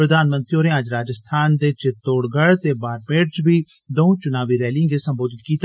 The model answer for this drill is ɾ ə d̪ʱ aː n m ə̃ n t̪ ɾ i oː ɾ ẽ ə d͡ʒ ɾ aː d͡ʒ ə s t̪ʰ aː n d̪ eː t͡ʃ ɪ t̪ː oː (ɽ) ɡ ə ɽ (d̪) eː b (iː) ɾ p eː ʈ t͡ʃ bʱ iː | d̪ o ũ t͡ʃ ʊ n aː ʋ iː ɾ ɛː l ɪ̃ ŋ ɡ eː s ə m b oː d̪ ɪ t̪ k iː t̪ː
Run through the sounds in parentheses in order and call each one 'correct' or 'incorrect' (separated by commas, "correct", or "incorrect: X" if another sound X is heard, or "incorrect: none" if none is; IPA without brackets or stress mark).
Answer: correct, incorrect: t̪, incorrect: aː